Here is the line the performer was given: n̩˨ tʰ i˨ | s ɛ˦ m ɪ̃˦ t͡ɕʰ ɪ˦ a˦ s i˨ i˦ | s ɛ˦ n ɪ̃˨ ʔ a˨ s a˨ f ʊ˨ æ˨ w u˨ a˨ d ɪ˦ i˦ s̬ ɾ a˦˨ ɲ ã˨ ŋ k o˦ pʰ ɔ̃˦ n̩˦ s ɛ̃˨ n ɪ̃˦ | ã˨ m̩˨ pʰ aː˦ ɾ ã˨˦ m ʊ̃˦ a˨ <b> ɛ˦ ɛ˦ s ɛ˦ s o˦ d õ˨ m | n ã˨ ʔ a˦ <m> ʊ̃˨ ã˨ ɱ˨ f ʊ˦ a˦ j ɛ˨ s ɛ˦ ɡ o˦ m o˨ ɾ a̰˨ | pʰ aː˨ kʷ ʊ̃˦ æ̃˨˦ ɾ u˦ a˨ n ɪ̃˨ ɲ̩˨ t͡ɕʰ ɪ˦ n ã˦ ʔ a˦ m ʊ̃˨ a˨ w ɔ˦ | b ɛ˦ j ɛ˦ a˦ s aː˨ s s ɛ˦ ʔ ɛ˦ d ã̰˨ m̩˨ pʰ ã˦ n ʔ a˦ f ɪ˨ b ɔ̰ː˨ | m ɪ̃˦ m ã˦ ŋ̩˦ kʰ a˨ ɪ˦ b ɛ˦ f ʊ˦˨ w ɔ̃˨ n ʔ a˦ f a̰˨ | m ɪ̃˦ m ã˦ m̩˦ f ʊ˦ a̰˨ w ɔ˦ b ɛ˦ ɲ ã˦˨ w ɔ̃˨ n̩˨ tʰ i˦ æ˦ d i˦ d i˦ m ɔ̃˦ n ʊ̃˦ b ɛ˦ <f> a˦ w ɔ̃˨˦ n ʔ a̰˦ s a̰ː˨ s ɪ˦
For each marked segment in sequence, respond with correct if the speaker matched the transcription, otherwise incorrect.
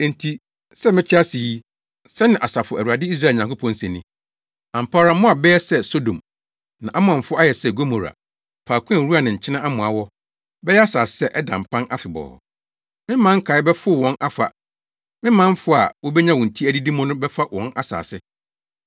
correct, correct, correct

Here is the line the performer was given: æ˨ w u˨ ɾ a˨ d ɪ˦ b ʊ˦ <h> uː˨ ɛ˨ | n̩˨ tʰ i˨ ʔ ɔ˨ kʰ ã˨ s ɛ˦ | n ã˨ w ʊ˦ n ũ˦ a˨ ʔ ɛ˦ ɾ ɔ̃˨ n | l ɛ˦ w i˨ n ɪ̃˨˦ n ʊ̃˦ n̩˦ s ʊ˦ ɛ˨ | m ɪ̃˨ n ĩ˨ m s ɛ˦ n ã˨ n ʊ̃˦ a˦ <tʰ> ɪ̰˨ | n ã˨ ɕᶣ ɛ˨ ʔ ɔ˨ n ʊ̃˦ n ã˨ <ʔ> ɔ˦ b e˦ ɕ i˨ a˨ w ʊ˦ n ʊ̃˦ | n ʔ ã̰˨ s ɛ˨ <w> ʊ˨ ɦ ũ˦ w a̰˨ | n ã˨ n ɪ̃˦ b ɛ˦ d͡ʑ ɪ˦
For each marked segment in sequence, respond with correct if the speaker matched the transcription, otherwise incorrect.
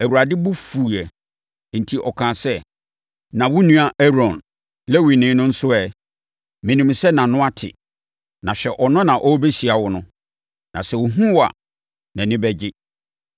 incorrect: f, correct, correct, correct

